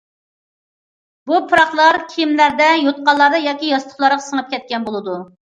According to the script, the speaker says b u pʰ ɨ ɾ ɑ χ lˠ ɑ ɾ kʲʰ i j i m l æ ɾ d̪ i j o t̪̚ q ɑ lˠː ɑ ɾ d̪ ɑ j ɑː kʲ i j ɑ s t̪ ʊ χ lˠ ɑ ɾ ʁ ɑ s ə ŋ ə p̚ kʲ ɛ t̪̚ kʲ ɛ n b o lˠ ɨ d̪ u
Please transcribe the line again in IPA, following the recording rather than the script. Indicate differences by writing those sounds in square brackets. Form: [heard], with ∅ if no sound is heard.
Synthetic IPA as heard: b u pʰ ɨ ɾ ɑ χ lˠ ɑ ɾ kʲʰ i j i m l æ ɾ d̪ [ɛ] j o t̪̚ q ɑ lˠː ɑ ɾ d̪ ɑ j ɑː kʲ i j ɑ s t̪ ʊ χ lˠ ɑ ɾ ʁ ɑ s ə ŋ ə p̚ kʲ ɛ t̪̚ kʲ ɛ n b o lˠ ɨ d̪ u